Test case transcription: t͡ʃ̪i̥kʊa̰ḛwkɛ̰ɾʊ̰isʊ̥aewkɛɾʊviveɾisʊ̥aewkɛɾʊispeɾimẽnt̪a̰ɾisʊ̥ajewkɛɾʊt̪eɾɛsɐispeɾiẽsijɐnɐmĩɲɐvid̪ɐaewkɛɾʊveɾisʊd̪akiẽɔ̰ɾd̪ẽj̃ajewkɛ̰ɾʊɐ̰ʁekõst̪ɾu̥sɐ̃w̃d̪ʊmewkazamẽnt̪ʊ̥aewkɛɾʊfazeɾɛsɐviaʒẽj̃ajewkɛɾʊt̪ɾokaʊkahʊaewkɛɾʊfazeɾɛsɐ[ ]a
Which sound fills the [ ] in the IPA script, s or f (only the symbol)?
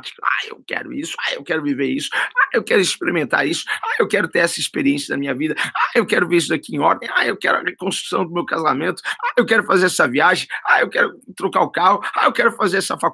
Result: f